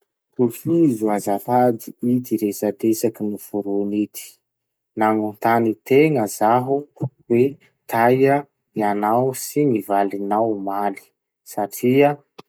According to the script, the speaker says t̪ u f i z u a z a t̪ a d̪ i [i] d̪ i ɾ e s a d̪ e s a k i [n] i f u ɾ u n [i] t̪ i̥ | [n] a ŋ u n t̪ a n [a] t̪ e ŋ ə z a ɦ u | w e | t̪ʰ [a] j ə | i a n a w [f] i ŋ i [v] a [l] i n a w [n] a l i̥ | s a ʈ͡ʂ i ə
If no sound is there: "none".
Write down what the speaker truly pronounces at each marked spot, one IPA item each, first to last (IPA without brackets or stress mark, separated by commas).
i, n, i, n, i, a, s, v, l, m